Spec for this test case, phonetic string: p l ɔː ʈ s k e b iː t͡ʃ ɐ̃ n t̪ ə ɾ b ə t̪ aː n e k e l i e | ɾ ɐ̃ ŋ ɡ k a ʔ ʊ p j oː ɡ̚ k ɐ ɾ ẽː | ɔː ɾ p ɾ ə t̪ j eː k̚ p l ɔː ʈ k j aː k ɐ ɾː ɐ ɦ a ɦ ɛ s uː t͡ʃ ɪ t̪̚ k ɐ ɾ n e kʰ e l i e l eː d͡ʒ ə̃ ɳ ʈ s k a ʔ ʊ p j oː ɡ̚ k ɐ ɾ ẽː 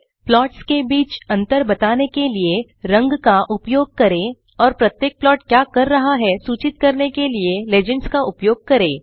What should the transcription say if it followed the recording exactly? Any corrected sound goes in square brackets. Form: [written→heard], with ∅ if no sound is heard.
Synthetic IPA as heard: p l ɔː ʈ s k e b iː t͡ʃ ɐ̃ n t̪ ə ɾ b [ə→ɐ] t̪ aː n e k e l i e | ɾ ɐ̃ ŋ ɡ k a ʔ ʊ p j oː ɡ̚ k ɐ ɾ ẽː | ɔː ɾ p ɾ [ə→ɐ] t̪ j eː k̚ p l ɔː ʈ k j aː k ɐ ɾː ɐ ɦ a ɦ ɛ s uː t͡ʃ ɪ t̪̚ k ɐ ɾ n e [kʰ→k] e l i e l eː d͡ʒ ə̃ ɳ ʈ s k a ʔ ʊ p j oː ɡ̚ k ɐ ɾ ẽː